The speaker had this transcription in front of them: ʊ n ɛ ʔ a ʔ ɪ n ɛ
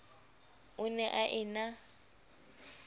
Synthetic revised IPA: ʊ n ɛ ʔ a ʔ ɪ n a